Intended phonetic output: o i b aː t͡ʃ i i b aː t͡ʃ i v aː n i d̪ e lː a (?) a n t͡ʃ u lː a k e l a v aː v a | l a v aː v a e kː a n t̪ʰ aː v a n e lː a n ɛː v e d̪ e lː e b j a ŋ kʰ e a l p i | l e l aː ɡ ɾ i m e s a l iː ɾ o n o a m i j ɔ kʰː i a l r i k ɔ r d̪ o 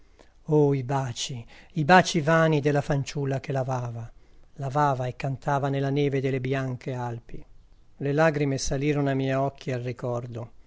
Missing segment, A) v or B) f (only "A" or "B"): B